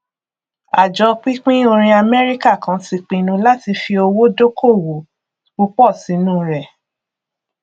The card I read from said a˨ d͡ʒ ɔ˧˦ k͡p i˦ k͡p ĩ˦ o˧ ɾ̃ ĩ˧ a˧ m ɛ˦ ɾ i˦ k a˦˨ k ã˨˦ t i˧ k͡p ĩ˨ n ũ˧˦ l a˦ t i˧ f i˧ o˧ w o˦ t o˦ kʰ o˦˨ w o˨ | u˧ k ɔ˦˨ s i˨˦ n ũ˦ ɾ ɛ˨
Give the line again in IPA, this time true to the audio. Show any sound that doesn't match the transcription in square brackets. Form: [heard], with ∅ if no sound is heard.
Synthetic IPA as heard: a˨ d͡ʒ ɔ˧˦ k͡p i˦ k͡p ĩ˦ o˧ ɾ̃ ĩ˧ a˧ m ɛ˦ ɾ i˦ k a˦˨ k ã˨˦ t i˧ k͡p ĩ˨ n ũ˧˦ l a˦ t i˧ f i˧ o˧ w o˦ [d] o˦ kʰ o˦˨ w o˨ | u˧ [k͡p] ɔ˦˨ s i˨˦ n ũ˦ ɾ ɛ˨